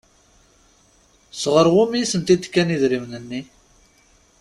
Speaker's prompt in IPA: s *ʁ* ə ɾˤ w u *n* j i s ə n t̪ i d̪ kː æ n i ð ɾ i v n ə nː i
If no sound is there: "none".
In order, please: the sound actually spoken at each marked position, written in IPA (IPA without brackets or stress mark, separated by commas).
ʁ, m